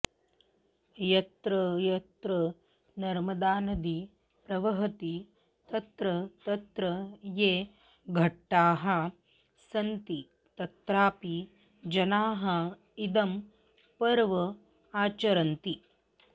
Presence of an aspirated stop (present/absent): absent